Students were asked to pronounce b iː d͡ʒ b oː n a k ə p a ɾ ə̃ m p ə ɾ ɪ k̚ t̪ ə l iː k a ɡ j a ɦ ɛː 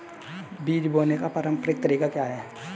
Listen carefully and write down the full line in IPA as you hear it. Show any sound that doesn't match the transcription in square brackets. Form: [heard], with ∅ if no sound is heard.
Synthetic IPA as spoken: b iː d͡ʒ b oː n [e] k [a] p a ɾ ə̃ m p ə ɾ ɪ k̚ t̪ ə [ɾ] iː k a [k] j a ɦ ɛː